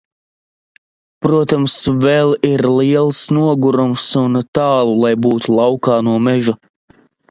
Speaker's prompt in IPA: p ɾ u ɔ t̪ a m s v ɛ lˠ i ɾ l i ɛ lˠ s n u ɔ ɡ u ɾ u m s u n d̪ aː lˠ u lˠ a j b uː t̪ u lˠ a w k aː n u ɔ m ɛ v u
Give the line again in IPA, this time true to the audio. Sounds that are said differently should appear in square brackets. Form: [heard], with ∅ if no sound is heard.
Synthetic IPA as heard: p ɾ u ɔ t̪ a m s v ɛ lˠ i ɾ l i ɛ lˠ s n u ɔ ɡ u ɾ u m s u n [t̪] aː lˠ u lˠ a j b uː t̪ u lˠ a w k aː n u ɔ m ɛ [ʒ] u